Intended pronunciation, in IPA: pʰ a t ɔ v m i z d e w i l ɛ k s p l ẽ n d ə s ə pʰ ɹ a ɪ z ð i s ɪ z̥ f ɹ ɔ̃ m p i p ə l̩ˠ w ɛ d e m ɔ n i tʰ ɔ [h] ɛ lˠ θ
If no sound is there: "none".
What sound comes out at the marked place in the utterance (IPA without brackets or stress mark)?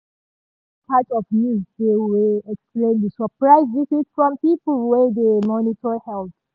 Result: h